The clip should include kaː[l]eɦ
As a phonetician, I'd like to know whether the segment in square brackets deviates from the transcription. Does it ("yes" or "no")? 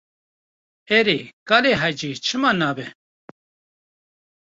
no